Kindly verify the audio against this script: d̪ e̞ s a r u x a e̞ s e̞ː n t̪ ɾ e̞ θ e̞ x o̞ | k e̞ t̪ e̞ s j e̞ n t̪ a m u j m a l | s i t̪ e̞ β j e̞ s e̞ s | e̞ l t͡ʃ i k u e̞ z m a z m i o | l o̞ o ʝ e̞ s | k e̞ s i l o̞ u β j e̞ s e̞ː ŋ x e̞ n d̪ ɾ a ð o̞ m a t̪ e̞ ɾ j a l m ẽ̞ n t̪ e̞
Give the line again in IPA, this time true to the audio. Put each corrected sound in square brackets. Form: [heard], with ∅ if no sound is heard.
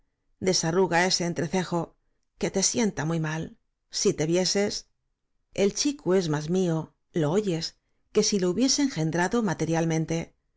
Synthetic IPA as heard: d̪ e̞ s a r u [ɣ] a e̞ s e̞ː n t̪ ɾ e̞ θ e̞ x o̞ | k e̞ t̪ e̞ s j e̞ n t̪ a m u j m a l | s i t̪ e̞ β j e̞ s e̞ s | e̞ l t͡ʃ i k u e̞ z m a z m i o | l o̞ o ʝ e̞ s | k e̞ s i l o̞ u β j e̞ s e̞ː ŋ x e̞ n d̪ ɾ a ð o̞ m a t̪ e̞ ɾ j a l m ẽ̞ n t̪ e̞